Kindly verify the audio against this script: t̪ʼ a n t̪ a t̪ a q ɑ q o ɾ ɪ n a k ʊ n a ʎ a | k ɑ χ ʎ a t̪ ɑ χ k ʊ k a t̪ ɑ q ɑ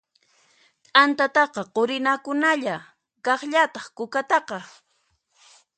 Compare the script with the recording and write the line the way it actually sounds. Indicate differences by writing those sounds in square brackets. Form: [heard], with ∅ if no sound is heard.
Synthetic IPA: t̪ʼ a n t̪ a t̪ [ɑ] q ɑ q o ɾ ɪ n a k ʊ n a ʎ a | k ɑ χ ʎ a t̪ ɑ χ k ʊ k a t̪ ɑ q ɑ